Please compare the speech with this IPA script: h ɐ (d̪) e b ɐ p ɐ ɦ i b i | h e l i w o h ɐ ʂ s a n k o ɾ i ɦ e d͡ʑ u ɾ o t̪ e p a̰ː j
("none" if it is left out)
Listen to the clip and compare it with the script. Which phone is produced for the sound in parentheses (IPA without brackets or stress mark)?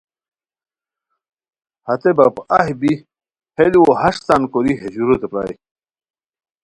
t̪